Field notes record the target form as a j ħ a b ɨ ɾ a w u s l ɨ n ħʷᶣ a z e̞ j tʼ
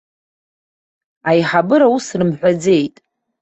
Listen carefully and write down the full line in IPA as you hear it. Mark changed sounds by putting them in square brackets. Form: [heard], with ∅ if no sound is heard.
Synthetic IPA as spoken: a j ħ a b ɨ ɾ a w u s [r] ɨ [m] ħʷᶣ a [d͡z] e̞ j tʼ